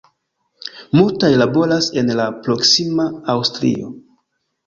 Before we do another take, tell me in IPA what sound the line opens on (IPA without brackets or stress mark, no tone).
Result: m